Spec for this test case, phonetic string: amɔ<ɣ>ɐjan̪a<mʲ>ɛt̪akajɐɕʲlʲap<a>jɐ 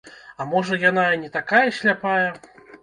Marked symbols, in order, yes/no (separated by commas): no, no, yes